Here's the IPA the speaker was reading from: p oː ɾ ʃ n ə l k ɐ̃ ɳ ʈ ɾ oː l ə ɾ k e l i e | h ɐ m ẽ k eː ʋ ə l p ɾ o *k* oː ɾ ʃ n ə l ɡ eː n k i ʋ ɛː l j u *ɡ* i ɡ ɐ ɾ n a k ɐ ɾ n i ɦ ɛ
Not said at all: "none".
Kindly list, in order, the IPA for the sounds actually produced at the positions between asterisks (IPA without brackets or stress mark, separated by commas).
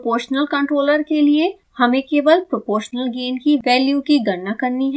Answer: p, k